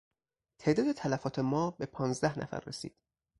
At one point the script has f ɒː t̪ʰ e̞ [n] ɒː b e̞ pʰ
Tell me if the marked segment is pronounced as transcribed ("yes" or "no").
no